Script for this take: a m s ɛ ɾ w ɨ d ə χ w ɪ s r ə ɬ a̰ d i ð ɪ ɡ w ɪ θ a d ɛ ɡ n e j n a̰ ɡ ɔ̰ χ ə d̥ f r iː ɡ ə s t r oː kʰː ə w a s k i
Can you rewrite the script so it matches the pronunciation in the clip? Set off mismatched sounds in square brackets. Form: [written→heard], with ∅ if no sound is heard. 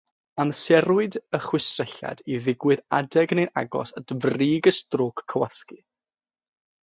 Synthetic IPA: a m s ɛ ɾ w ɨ d ə χ w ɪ s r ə ɬ a̰ d i ð ɪ ɡ w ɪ [θ→ð] a d ɛ ɡ n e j n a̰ ɡ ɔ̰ [χ→s] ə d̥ [f→v] r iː ɡ ə s t r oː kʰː ə w a s k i